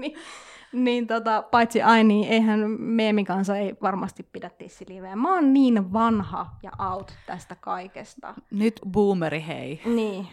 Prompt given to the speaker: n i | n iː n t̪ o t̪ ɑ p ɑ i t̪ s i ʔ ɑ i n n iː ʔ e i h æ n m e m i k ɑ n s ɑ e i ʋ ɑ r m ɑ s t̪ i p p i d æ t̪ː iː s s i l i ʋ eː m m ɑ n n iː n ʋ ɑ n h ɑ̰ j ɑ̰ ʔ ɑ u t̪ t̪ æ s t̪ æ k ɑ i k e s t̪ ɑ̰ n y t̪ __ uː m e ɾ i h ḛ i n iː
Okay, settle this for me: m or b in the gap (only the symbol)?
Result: b